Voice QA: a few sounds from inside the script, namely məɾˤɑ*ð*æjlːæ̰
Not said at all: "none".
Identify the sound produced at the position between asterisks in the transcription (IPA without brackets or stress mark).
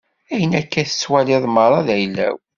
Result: ð